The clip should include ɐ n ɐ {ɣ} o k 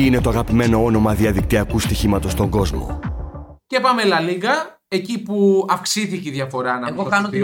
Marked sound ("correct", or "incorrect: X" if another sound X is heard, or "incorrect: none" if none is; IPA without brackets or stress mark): correct